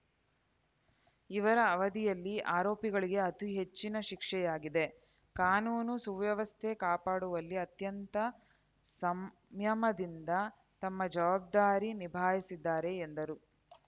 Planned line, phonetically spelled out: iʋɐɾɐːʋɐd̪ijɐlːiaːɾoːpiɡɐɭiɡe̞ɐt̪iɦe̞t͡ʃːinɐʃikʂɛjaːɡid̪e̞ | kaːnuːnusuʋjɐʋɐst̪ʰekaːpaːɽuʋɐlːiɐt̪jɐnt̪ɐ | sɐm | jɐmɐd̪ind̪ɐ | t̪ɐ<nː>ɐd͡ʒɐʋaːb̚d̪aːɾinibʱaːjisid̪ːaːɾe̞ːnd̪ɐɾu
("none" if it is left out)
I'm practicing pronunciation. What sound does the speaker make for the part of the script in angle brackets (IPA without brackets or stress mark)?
mː